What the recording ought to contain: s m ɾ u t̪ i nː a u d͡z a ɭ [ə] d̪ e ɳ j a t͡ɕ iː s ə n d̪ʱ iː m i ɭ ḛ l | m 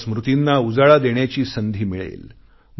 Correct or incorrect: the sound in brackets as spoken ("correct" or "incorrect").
incorrect